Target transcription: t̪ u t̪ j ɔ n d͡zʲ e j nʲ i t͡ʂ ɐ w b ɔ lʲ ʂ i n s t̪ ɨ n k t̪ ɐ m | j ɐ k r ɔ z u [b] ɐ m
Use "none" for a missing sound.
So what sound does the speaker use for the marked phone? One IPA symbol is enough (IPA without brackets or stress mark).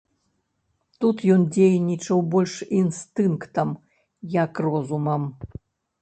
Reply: m